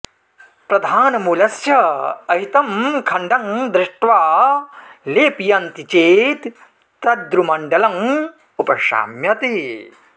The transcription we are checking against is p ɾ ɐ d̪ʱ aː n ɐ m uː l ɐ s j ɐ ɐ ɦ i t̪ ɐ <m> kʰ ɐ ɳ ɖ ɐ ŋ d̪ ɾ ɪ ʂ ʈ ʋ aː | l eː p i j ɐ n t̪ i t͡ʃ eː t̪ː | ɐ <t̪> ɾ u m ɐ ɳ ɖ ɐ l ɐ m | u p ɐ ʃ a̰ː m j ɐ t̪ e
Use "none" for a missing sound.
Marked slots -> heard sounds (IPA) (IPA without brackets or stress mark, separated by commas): m, d̪